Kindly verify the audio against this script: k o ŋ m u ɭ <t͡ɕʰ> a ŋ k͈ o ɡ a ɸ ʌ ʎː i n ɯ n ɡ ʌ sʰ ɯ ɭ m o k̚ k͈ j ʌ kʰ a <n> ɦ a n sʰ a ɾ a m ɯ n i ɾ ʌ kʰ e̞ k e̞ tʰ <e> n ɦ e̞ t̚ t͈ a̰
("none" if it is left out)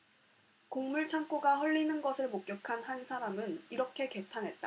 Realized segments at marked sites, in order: t͡ɕʰ, n, a

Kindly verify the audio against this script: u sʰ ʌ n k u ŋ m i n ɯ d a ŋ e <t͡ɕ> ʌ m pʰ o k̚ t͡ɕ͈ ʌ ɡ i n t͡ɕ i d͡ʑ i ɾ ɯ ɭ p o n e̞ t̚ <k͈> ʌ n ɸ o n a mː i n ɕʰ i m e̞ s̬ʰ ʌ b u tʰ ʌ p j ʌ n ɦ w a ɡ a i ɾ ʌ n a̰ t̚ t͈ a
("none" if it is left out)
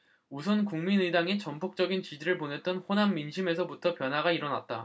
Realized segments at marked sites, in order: t͡ɕ, t͈

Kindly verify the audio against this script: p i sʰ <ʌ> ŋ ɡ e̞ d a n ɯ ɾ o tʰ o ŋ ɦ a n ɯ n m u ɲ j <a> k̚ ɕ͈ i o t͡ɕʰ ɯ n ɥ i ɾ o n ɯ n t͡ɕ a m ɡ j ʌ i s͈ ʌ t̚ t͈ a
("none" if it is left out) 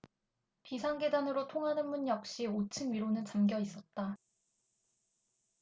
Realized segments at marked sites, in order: a, ʌ

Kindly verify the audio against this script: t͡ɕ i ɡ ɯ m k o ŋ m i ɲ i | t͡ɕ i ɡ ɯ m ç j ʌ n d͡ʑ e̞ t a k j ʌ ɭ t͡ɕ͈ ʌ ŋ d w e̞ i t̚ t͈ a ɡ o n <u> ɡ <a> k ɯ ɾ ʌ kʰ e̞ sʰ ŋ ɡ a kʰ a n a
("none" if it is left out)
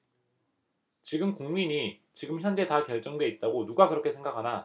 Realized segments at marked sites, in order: u, a

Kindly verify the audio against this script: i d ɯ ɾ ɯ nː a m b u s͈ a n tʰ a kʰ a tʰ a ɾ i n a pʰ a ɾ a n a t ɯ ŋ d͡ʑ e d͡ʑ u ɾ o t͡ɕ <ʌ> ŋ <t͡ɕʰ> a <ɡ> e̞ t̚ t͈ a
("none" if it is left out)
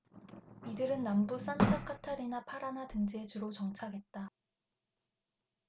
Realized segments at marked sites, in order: ʌ, t͡ɕʰ, ɡ

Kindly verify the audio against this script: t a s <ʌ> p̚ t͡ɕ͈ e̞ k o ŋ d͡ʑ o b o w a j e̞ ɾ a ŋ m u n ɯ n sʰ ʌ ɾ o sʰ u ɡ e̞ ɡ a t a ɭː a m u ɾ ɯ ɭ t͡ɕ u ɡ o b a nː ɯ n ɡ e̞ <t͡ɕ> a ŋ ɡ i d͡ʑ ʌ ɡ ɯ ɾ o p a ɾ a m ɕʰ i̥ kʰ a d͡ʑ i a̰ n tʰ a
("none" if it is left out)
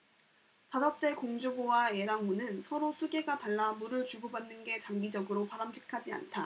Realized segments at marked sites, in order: ʌ, t͡ɕ

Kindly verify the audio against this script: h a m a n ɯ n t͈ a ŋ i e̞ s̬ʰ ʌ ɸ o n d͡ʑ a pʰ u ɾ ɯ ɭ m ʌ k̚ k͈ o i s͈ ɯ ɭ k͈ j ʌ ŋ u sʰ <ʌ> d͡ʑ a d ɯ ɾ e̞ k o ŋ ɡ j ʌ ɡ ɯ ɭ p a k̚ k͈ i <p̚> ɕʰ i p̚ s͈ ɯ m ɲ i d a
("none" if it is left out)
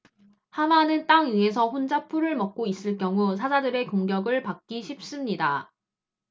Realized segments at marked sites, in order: a, none

